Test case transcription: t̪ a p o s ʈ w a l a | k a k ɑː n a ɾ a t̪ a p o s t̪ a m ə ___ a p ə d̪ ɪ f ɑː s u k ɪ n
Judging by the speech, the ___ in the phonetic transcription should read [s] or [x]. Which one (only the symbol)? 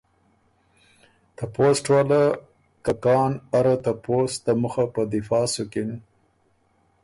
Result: x